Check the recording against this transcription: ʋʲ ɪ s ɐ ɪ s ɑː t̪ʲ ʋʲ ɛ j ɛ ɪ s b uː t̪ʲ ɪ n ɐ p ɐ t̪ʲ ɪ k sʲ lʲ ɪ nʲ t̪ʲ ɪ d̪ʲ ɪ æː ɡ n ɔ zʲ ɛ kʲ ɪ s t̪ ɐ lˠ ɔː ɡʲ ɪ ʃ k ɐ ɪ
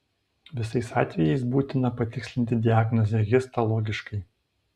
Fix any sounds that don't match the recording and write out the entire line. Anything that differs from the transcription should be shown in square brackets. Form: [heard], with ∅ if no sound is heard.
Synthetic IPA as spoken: ʋʲ ɪ s ɐ ɪ s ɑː t̪ʲ ʋʲ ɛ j ɛ ɪ s b uː t̪ʲ ɪ n ɐ p ɐ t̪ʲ ɪ k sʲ lʲ ɪ nʲ t̪ʲ ɪ d̪ʲ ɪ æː ɡ n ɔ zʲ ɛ [ɡʲ] ɪ s t̪ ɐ lˠ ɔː ɡʲ ɪ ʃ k ɐ ɪ